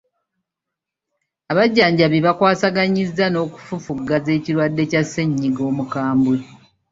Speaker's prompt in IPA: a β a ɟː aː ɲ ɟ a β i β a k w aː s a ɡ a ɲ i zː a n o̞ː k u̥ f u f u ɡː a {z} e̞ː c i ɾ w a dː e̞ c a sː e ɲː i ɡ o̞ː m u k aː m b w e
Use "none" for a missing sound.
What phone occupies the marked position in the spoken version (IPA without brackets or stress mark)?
z